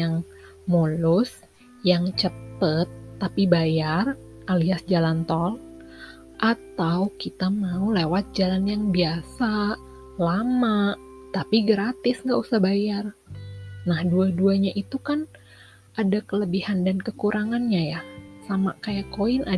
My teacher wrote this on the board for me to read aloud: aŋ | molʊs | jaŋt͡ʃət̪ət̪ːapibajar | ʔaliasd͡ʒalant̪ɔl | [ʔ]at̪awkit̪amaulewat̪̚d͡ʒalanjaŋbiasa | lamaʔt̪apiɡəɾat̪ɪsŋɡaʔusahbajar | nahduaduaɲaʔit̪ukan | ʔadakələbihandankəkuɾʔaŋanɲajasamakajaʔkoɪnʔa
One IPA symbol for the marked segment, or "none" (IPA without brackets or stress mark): ʔ